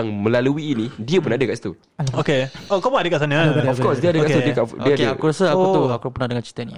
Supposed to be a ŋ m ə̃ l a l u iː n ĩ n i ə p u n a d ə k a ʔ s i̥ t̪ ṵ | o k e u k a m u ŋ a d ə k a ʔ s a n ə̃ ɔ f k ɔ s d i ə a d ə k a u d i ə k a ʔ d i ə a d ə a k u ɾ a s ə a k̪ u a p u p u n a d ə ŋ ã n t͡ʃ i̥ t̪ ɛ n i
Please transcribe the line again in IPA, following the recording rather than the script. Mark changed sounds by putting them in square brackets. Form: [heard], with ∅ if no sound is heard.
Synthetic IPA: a ŋ m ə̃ l a l u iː n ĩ [d] i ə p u n a d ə k a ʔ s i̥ t̪ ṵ | o k e [o] k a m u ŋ a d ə k a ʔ s a n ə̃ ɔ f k ɔ s d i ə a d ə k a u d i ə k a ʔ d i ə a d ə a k u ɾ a s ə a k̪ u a [k] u p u n a d ə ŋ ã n t͡ʃ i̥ t̪ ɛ n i